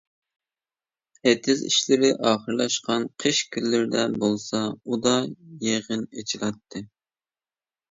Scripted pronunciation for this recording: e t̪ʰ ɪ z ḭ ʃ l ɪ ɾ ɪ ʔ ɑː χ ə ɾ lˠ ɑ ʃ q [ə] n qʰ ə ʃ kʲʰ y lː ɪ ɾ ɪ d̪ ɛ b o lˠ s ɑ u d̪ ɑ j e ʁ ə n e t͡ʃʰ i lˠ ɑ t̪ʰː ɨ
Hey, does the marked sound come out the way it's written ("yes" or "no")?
no